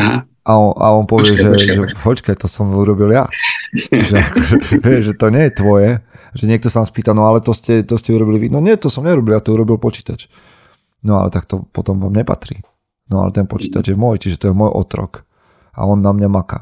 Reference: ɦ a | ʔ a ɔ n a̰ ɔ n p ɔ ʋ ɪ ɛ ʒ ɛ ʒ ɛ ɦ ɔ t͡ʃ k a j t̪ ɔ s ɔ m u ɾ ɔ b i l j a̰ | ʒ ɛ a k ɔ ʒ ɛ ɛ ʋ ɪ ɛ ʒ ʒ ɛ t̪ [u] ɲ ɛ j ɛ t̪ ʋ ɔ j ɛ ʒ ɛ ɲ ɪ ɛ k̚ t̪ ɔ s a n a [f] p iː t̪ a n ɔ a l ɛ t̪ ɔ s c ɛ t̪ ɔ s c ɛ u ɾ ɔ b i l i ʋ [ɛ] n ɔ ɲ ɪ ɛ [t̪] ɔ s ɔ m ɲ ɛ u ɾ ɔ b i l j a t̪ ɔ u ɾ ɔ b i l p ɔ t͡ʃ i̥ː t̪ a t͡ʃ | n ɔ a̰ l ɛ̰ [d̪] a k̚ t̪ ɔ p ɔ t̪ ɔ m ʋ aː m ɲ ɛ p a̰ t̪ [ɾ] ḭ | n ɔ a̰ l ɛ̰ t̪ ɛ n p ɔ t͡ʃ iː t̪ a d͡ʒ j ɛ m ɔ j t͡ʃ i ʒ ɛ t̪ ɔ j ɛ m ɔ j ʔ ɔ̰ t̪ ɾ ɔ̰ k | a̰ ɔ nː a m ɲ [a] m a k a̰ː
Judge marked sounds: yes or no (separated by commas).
no, no, no, yes, no, yes, yes